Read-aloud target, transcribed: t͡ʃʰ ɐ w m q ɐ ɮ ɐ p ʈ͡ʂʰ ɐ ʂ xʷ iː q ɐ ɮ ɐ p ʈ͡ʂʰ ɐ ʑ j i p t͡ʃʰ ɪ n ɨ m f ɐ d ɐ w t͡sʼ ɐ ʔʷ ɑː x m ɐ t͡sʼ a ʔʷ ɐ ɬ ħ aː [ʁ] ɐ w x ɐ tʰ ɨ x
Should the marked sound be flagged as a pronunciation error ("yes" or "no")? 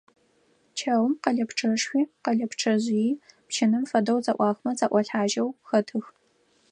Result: yes